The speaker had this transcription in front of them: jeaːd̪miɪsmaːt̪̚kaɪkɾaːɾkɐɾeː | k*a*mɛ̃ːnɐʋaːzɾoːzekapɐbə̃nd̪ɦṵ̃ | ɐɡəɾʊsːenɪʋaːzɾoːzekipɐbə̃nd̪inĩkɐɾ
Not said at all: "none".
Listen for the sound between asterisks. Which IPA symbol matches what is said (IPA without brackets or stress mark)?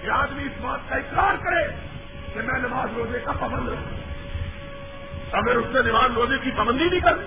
e